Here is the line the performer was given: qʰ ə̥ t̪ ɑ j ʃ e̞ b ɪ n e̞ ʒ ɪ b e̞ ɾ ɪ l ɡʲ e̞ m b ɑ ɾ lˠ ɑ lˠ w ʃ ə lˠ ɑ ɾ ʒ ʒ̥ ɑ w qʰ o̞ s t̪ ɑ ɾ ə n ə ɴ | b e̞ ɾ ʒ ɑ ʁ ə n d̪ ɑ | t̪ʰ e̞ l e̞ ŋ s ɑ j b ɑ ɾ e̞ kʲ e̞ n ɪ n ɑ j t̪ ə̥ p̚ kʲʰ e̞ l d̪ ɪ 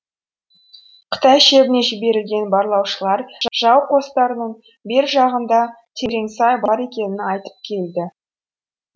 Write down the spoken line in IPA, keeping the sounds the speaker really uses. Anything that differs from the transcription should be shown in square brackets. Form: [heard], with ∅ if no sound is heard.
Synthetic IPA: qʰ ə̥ t̪ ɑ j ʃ e̞ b ɪ n e̞ ʒ ɪ b e̞ ɾ ɪ l ɡʲ e̞ [n] b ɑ ɾ lˠ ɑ [∅] w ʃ ə lˠ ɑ ɾ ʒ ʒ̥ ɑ w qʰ o̞ s t̪ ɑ ɾ ə n ə ɴ | b e̞ ɾ ʒ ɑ ʁ ə n d̪ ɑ | t̪ʰ e̞ [ɾ] e̞ ŋ s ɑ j b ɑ ɾ e̞ kʲ e̞ n ɪ n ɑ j t̪ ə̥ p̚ kʲʰ e̞ l d̪ ɪ